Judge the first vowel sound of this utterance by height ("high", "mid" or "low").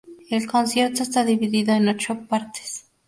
mid